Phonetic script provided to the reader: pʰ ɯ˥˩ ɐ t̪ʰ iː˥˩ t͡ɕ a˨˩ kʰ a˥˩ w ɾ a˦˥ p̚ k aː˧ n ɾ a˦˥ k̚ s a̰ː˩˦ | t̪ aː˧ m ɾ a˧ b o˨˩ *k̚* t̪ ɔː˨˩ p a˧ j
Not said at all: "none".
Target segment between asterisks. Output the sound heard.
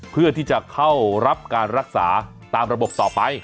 p̚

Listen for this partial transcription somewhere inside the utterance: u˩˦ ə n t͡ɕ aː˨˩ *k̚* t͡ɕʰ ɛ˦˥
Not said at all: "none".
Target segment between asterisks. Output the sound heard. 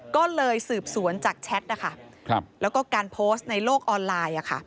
k̚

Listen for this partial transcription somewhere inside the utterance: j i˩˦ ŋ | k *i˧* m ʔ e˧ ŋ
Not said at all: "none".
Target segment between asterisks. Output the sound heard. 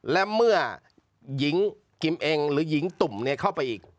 i˧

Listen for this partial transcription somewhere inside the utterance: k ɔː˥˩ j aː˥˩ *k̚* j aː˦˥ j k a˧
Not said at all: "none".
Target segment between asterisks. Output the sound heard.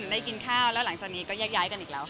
k̚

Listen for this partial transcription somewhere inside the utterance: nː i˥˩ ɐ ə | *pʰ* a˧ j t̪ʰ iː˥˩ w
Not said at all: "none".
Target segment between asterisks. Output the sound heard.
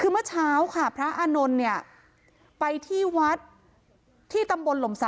p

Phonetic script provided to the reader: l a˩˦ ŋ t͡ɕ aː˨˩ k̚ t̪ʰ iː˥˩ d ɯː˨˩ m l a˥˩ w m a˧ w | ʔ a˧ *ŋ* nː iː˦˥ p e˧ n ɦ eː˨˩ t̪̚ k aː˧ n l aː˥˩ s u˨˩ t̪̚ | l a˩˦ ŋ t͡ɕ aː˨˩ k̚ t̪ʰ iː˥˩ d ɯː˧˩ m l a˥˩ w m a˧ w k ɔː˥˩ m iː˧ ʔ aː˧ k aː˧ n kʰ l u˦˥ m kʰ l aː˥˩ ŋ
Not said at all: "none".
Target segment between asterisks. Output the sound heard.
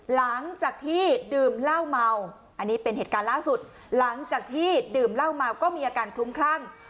none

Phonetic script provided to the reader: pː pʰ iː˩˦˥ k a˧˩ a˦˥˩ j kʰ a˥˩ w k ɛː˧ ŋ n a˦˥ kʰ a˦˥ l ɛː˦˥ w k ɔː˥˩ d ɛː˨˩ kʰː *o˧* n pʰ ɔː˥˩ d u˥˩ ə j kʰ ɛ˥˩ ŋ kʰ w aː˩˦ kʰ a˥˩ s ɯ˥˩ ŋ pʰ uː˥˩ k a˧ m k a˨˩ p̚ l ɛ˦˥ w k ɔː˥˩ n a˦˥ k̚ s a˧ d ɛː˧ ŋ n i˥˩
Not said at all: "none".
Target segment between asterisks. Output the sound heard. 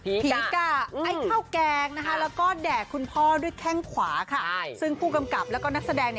u˧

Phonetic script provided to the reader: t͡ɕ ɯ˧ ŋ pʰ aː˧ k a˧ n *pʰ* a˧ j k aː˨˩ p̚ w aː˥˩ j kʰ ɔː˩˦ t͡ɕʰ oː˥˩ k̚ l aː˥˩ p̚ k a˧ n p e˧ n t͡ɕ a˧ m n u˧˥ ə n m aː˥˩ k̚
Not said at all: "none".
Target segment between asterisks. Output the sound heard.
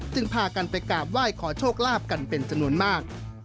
p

